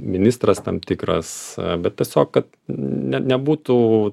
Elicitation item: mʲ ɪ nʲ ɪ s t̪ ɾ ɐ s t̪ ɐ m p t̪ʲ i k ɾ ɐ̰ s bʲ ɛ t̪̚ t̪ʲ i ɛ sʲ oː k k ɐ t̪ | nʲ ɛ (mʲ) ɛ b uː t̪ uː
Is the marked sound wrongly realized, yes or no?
yes